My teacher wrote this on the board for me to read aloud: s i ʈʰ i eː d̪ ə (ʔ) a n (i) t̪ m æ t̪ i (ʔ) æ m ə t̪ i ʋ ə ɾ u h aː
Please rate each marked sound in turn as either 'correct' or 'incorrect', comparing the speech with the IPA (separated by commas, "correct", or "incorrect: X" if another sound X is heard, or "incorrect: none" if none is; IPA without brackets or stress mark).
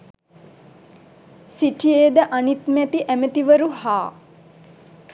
correct, correct, correct